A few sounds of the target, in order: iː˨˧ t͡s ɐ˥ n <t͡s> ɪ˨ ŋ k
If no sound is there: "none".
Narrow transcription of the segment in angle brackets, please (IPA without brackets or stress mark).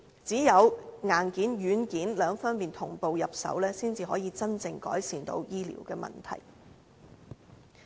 t͡s